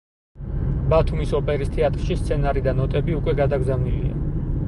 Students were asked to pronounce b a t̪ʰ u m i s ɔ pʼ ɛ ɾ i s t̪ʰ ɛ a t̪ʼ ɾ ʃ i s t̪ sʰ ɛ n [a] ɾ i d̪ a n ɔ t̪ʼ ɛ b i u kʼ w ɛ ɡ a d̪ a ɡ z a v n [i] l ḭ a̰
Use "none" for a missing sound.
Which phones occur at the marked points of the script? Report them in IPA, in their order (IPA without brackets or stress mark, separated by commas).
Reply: a, i